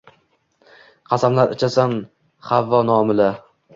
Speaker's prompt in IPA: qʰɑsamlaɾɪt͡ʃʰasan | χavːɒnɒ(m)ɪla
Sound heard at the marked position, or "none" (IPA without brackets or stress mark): m